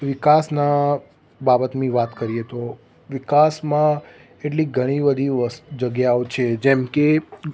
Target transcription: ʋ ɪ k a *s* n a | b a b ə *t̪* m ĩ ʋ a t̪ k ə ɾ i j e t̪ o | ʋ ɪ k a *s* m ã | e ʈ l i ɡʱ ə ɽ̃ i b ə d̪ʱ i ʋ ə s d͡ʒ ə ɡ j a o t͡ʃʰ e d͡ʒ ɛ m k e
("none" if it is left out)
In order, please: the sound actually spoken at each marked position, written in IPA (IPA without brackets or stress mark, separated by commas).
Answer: s, t̪, s